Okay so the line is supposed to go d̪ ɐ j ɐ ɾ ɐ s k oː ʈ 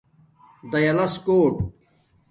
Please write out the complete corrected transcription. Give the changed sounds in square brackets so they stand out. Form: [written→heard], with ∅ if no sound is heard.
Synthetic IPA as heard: d̪ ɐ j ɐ [ɾ→l] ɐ s k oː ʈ